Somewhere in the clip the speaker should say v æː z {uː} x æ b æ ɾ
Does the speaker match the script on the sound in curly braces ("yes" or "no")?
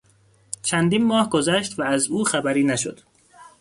yes